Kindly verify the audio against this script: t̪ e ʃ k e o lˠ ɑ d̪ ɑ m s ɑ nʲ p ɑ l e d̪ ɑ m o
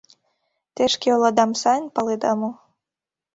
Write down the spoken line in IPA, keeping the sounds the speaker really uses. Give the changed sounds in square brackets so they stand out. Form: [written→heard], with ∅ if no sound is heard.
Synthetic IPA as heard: t̪ e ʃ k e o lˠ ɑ d̪ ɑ m s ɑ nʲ p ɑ l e d̪ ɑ m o